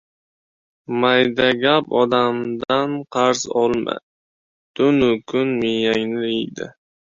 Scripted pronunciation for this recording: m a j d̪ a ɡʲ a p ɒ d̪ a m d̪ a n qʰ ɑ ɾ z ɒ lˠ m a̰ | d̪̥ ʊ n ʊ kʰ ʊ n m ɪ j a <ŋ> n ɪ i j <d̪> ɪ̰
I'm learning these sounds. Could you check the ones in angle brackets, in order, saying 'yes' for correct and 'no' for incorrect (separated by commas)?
yes, yes